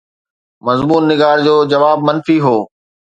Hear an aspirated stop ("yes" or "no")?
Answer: no